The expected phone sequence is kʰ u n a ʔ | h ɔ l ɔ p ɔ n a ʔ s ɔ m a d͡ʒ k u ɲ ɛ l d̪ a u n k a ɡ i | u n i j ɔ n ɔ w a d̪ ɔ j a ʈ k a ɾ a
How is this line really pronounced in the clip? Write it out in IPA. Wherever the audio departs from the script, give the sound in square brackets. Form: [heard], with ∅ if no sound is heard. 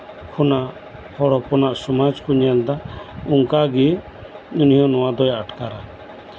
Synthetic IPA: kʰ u n a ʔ | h ɔ [ɽ] ɔ p ɔ n a ʔ s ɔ m a d͡ʒ k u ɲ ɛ l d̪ a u [ŋ] k a ɡ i | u n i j ɔ n ɔ w a d̪ ɔ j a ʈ k a ɾ a